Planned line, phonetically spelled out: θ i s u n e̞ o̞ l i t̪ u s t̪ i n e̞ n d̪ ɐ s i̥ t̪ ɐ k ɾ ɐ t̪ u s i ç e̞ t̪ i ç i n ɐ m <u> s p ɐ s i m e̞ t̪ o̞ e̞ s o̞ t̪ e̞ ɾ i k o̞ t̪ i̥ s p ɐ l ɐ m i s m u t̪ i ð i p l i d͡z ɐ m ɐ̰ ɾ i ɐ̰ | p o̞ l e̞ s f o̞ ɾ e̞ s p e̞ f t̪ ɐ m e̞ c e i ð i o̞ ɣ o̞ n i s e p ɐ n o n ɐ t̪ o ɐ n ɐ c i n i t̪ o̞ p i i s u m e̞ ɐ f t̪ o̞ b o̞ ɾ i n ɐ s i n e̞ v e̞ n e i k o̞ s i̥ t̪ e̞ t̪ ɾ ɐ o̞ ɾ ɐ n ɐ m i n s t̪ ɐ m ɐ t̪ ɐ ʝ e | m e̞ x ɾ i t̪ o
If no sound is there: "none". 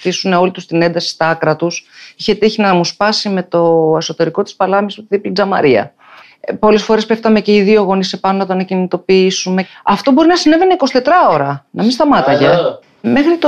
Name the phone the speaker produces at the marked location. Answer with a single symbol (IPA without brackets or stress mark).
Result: u